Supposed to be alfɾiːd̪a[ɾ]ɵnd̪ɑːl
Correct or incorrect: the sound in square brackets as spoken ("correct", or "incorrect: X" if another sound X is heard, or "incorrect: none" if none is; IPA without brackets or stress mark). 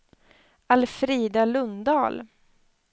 incorrect: l